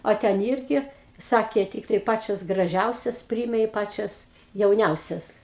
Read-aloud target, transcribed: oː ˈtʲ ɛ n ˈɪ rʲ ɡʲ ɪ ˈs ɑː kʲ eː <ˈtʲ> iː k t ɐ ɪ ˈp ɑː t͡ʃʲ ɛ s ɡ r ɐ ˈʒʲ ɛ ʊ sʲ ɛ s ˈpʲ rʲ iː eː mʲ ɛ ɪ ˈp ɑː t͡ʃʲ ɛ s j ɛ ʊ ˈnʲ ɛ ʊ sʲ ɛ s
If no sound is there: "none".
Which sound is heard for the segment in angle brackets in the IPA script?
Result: tʲ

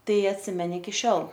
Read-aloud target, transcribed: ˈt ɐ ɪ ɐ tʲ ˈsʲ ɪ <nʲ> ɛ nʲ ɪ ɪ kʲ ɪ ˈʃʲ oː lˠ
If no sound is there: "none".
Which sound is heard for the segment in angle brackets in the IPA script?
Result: mʲ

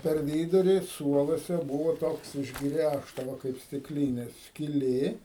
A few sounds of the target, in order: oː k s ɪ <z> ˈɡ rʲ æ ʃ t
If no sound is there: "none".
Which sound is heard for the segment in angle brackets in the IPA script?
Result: ʒ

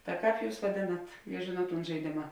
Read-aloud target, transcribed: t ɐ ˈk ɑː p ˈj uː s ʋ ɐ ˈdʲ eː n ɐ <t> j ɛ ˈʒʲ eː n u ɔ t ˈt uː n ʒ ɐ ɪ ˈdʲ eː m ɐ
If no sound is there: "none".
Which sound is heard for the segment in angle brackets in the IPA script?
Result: t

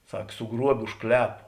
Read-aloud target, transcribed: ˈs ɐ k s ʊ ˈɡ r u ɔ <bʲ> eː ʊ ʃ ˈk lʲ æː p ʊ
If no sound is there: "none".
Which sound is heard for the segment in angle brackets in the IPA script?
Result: bʲ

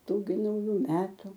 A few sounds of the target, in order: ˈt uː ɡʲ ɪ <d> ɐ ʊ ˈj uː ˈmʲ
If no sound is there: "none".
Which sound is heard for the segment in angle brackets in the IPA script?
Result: n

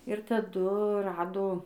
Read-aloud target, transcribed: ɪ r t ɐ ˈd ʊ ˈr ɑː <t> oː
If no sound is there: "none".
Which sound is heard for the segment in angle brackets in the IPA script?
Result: d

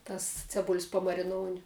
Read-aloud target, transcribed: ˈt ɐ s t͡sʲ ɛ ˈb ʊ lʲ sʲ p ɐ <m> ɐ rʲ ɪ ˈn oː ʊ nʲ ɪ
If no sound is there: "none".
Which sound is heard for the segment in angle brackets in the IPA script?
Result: m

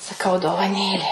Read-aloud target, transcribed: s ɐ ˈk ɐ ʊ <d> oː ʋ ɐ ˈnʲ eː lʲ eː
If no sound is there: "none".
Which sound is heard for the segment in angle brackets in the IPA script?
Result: d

